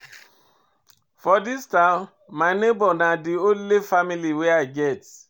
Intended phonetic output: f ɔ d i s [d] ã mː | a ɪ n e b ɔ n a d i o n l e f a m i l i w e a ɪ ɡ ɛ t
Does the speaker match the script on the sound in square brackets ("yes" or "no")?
no